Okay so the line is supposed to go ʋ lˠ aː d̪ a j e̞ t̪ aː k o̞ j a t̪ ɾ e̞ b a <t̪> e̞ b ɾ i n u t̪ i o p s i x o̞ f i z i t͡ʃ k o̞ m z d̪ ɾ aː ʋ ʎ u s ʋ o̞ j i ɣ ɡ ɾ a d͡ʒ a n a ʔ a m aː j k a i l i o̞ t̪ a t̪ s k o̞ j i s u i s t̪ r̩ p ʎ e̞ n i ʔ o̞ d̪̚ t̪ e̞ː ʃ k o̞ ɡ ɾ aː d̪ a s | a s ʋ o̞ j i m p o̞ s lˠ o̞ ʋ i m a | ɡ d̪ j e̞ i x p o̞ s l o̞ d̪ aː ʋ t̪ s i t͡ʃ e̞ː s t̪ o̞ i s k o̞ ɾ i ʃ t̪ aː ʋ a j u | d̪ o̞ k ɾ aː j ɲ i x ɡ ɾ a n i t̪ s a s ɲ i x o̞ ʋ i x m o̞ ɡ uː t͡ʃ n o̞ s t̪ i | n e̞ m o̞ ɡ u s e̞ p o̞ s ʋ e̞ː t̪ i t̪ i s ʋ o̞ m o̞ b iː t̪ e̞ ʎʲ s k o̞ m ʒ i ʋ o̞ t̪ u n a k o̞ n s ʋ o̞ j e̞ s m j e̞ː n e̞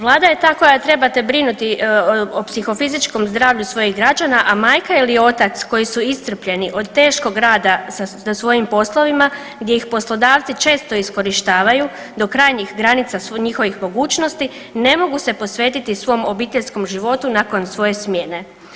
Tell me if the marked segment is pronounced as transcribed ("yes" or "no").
yes